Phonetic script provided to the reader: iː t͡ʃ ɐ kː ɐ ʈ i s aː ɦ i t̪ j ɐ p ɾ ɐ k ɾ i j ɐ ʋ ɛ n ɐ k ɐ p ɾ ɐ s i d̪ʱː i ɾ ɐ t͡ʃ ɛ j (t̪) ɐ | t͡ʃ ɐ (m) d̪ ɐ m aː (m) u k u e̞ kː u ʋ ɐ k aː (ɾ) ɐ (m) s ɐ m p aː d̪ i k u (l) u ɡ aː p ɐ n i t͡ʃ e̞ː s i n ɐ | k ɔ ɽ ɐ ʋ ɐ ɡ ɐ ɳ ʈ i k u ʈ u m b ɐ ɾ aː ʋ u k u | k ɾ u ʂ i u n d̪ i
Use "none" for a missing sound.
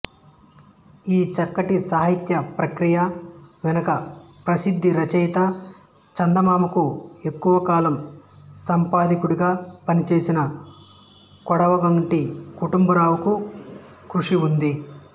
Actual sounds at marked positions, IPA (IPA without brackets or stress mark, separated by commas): t̪, n, m, l, m, ɽ